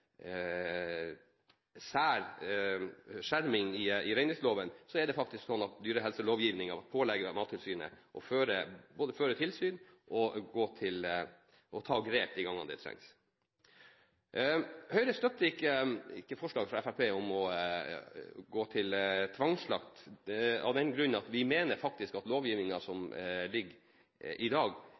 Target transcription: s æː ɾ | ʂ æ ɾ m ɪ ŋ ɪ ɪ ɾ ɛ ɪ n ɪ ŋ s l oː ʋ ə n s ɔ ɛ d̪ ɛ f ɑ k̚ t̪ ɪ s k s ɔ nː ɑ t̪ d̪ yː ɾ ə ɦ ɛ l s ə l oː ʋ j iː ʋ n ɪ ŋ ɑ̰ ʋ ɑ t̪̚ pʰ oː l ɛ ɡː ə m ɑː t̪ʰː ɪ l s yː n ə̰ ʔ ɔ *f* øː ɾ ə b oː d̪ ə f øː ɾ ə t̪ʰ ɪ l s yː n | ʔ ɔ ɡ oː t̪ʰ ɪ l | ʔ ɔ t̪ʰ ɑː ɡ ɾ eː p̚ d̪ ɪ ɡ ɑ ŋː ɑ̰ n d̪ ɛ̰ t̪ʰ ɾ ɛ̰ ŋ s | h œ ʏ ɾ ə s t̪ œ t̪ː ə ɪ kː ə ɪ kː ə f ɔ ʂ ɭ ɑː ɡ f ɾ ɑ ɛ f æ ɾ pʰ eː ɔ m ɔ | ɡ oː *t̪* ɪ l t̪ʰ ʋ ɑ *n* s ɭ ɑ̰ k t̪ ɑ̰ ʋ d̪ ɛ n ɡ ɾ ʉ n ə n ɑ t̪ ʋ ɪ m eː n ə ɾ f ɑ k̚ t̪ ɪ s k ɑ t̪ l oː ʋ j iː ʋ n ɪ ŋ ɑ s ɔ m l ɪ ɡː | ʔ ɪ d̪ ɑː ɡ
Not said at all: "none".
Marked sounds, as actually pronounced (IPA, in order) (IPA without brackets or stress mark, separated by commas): f, t̪ʰ, ŋ